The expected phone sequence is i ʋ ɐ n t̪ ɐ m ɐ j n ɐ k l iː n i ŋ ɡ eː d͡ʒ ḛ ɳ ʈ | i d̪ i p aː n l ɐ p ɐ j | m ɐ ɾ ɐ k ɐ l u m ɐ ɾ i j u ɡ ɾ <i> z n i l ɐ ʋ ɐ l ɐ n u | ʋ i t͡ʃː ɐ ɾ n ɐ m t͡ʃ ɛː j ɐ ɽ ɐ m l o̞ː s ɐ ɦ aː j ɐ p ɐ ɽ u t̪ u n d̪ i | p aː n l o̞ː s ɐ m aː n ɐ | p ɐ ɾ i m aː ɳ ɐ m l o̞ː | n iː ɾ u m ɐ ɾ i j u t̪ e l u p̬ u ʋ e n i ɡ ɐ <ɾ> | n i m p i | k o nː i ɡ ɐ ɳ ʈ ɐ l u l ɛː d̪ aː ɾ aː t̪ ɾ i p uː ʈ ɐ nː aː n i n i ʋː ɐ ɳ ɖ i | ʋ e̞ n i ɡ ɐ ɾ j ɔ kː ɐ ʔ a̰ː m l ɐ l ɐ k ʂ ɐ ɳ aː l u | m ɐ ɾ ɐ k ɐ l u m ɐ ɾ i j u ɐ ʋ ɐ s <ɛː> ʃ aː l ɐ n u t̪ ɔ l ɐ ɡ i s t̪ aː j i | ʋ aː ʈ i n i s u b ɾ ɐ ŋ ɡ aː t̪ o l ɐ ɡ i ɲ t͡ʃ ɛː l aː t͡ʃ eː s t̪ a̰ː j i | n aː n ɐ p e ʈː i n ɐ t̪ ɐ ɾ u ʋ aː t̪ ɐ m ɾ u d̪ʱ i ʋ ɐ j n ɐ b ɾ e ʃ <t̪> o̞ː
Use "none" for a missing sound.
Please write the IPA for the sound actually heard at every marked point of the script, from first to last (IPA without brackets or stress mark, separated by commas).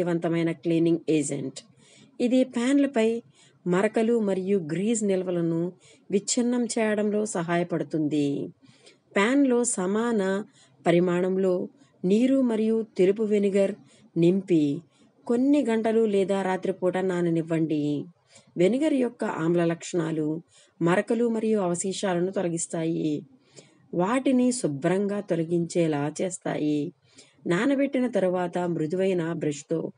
iː, ɾ, iː, t̪